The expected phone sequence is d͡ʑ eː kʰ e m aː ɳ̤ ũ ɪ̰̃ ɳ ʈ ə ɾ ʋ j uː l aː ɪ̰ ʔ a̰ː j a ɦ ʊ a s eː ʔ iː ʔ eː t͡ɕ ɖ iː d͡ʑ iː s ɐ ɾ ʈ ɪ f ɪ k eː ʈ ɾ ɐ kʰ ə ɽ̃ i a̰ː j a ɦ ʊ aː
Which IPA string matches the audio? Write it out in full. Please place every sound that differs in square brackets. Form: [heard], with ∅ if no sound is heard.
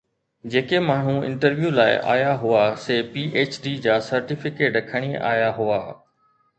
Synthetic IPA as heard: d͡ʑ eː [k] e m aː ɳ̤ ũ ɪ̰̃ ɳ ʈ ə ɾ ʋ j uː l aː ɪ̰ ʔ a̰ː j a ɦ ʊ a s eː [p] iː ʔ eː t͡ɕ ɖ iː d͡ʑ [aː] s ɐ ɾ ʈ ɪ f ɪ k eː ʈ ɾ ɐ kʰ ə ɽ̃ i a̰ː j a ɦ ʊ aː